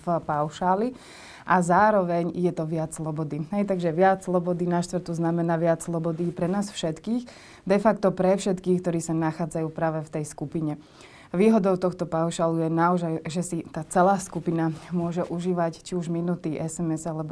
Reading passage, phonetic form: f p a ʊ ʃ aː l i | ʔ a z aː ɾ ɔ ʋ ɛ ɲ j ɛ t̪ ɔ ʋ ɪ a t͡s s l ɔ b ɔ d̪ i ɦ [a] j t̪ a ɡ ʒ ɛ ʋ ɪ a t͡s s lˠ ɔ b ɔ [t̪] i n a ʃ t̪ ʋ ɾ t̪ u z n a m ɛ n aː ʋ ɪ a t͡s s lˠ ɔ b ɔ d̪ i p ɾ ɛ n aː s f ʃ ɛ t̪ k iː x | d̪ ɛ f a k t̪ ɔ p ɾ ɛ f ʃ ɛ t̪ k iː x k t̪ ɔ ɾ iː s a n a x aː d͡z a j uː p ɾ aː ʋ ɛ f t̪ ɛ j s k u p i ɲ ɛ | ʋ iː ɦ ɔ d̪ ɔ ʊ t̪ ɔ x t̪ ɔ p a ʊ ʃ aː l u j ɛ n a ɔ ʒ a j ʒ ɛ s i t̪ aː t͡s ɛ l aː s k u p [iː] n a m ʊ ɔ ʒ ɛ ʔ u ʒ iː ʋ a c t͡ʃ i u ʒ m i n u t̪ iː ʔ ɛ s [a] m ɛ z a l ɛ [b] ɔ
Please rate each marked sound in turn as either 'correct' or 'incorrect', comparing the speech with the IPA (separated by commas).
incorrect, incorrect, incorrect, incorrect, correct